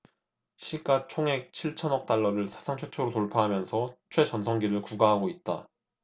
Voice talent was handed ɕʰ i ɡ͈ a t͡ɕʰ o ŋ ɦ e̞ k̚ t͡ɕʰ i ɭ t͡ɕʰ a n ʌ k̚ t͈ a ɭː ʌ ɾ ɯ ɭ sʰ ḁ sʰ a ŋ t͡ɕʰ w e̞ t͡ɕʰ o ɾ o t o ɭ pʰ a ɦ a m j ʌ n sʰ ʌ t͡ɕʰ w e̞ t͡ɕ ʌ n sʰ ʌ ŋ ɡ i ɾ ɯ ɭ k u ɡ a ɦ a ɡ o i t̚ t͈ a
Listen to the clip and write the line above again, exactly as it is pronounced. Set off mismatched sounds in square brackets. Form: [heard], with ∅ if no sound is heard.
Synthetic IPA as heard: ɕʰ i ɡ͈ a t͡ɕʰ o ŋ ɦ e̞ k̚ t͡ɕʰ i ɭ t͡ɕʰ [ʌ] n ʌ k̚ t͈ a ɭː ʌ ɾ ɯ ɭ sʰ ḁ sʰ a ŋ t͡ɕʰ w e̞ t͡ɕʰ o ɾ o t o ɭ pʰ a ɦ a m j ʌ n sʰ ʌ t͡ɕʰ w e̞ t͡ɕ ʌ n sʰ ʌ ŋ ɡ i ɾ ɯ ɭ k u ɡ a ɦ a ɡ o i t̚ t͈ a